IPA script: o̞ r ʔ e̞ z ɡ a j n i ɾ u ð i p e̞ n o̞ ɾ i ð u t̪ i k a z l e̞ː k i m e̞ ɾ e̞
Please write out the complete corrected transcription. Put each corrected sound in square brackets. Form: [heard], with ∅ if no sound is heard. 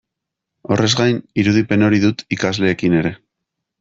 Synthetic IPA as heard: o̞ r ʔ e̞ z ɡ a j n i ɾ u ð i p e̞ n o̞ ɾ i ð u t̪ i k a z l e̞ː k i [n] e̞ ɾ e̞